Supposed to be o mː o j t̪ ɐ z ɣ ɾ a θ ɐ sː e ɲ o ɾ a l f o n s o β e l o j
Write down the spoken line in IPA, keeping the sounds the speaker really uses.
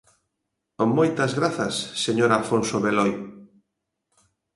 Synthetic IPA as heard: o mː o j t̪ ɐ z ɣ ɾ a θ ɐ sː e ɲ o ɾ a l f o n s o β e l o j